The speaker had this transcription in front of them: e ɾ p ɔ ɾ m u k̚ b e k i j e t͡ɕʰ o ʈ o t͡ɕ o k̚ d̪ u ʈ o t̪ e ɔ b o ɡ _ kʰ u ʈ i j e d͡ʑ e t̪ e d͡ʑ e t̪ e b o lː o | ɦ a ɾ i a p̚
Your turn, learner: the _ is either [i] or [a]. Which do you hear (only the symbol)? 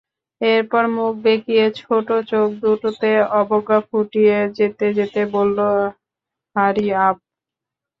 a